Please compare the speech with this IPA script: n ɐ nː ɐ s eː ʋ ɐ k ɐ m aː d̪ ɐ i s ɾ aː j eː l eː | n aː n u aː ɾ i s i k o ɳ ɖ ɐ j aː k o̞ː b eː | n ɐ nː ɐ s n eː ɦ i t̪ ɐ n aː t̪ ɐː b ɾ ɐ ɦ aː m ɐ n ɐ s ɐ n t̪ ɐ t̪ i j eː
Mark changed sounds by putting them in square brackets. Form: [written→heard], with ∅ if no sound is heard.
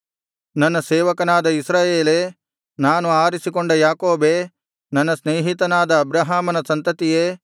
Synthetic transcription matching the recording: n ɐ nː ɐ s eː ʋ ɐ k ɐ [m→n] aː d̪ ɐ i s ɾ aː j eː l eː | n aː n u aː ɾ i s i k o ɳ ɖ ɐ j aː k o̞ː b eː | n ɐ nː ɐ s n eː ɦ i t̪ ɐ n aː [t̪→d̪] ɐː b ɾ ɐ ɦ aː m ɐ n ɐ s ɐ n t̪ ɐ t̪ i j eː

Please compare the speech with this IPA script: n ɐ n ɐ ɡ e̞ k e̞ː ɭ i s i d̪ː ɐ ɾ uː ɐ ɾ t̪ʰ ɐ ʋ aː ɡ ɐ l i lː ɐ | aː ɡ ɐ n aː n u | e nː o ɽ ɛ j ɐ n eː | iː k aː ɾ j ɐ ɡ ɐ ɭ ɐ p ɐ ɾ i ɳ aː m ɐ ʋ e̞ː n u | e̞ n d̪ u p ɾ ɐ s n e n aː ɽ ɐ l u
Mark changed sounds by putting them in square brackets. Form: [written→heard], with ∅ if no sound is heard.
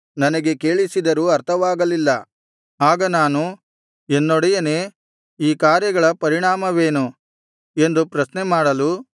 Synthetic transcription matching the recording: n ɐ n ɐ ɡ e̞ k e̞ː ɭ i s i [d̪ː→d̪] ɐ ɾ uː ɐ ɾ t̪ʰ ɐ ʋ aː ɡ ɐ l i lː ɐ | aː ɡ ɐ n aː n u | e nː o ɽ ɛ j ɐ n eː | iː k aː ɾ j ɐ ɡ ɐ ɭ ɐ p ɐ ɾ i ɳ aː m ɐ ʋ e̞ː n u | e̞ n d̪ u p ɾ ɐ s n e [n→m] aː ɽ ɐ l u

